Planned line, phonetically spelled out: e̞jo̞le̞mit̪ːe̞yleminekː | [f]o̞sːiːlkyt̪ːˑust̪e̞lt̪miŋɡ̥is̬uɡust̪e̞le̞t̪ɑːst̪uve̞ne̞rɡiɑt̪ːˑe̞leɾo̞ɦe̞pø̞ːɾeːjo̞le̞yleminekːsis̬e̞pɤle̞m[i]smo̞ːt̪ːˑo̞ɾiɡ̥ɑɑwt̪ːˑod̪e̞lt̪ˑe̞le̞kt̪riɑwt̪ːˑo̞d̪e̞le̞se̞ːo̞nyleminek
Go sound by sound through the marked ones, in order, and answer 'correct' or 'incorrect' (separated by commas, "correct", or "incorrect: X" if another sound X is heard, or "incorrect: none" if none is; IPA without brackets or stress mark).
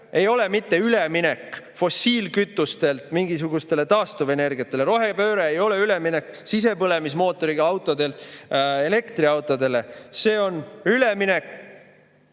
correct, correct